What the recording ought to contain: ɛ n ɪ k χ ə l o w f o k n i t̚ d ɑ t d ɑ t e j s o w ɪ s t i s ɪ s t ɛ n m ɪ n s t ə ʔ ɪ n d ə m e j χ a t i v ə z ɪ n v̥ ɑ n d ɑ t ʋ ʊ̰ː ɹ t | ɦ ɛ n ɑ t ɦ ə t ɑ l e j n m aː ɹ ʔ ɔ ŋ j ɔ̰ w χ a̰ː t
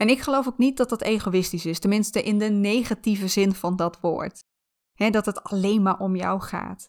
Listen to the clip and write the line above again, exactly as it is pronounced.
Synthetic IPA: ɛ n ɪ k χ ə l o w f o k n i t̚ d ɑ t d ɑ t e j χ o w ɪ s t i s ɪ s t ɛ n m ɪ n s t ə ʔ ɪ n d ə n e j χ a t i v ə z ɪ n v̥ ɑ n d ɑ t ʋ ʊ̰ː ɹ t | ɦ ɛ d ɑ t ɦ ə t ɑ l e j n m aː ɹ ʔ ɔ m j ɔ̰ w χ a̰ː t